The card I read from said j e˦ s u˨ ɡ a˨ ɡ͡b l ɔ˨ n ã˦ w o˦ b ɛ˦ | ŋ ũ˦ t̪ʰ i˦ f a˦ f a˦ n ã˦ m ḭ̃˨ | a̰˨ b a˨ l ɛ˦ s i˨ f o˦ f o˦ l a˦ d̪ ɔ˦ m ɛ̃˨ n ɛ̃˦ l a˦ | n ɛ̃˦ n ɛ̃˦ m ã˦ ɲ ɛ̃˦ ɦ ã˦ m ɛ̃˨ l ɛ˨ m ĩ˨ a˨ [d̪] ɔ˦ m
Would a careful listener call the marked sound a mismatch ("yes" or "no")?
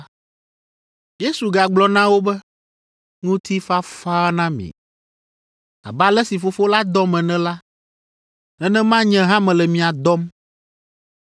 no